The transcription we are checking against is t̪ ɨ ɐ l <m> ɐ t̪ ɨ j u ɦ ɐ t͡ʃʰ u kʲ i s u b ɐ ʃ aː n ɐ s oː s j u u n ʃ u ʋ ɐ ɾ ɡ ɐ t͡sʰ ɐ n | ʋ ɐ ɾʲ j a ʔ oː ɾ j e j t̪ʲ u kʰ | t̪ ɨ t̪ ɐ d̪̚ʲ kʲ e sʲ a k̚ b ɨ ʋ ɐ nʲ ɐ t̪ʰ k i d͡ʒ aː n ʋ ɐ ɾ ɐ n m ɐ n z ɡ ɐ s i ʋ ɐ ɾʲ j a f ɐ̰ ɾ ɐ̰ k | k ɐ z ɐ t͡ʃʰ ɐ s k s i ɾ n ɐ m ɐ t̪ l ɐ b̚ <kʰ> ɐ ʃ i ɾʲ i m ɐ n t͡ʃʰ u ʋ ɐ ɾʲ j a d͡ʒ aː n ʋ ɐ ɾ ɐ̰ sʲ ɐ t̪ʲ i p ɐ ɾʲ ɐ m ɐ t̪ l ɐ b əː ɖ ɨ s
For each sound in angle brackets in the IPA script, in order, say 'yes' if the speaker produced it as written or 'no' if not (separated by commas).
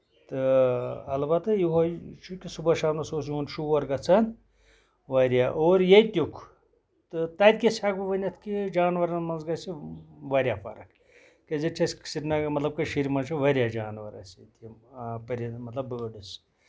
no, no